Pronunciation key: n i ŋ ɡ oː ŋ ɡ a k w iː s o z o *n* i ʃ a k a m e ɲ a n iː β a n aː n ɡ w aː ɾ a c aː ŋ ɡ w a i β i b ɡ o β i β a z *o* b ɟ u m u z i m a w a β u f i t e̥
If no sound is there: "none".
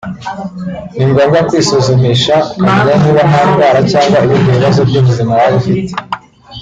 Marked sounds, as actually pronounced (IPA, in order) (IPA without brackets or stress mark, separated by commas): m, o